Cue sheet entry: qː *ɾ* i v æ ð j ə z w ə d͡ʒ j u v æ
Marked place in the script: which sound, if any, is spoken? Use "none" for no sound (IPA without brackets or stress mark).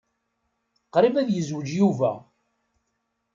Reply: ɾ